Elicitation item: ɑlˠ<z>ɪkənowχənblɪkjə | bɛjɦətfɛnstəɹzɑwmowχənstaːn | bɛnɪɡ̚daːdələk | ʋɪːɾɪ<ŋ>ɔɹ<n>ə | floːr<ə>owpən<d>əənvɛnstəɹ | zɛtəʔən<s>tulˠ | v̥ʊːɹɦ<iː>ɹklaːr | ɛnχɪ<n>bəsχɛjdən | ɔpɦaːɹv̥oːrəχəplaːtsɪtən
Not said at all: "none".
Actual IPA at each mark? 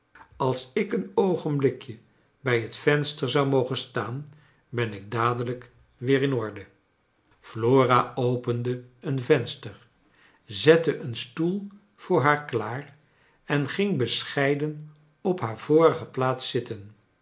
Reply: s, n, d, a, d, s, aː, ŋ

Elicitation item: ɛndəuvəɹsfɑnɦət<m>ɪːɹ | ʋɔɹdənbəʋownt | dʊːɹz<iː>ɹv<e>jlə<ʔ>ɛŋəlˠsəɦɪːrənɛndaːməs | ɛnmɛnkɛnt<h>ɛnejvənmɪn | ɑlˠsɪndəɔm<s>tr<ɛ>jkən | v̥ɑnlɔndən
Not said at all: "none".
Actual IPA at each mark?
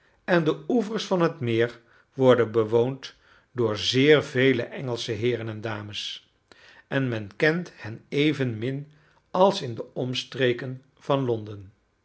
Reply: m, ɪː, e, ʔ, h, s, e

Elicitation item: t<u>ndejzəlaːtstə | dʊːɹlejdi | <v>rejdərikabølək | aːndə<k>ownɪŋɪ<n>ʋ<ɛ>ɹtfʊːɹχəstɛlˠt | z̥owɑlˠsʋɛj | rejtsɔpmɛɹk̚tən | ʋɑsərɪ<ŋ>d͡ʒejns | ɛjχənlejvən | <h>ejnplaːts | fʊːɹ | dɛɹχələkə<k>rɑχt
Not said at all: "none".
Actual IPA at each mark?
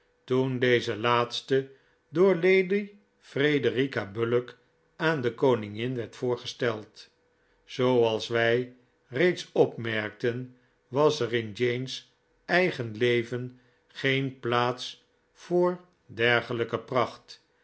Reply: u, f, k, n, ɛ, n, χ, p

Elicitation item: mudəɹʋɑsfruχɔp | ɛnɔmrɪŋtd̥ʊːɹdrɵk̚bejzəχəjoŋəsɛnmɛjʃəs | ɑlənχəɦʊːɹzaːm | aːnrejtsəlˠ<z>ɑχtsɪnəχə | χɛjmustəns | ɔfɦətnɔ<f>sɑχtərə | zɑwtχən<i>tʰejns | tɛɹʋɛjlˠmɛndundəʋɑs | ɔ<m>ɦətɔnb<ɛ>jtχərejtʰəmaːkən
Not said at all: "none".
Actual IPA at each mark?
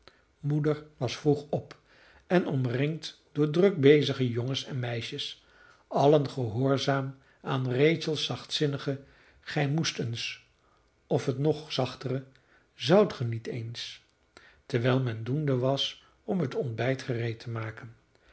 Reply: s, χ, i, m, ɛ

